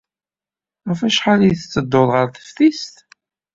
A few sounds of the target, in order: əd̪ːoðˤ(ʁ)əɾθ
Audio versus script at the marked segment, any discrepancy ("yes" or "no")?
no